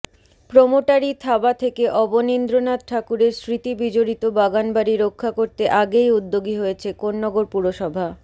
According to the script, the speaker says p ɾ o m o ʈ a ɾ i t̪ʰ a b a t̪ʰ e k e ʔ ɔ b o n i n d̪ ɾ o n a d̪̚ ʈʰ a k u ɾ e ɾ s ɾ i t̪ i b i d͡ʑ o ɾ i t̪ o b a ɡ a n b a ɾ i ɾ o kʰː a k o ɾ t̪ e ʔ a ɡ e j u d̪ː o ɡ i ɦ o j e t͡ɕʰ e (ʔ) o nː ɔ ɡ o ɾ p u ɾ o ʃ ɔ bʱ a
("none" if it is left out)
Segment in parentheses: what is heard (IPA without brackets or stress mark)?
k